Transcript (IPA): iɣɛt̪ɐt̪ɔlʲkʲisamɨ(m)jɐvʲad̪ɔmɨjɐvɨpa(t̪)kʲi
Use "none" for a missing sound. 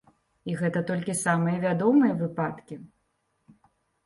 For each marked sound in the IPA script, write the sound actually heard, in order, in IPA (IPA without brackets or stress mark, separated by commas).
none, t̪